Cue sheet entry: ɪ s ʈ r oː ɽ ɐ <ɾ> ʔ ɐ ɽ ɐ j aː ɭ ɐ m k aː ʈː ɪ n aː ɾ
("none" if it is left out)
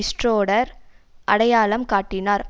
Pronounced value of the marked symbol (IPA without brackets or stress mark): ɾ